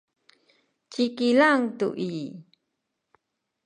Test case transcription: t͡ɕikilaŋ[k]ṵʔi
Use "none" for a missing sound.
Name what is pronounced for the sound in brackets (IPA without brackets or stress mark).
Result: t